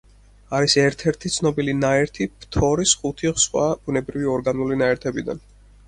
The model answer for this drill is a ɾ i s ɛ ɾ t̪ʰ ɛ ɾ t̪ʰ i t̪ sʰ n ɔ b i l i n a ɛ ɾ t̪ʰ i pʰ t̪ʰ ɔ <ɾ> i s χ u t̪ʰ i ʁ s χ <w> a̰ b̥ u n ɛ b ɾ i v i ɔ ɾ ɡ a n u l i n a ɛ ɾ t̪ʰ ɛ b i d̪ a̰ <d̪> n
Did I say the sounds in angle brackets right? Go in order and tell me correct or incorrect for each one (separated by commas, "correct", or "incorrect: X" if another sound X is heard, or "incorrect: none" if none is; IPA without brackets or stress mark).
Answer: correct, correct, incorrect: none